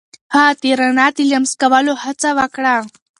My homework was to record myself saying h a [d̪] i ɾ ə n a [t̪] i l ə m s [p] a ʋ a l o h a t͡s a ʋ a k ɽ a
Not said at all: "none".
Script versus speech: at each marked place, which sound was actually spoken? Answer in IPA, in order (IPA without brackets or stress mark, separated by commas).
t̪, t̪, k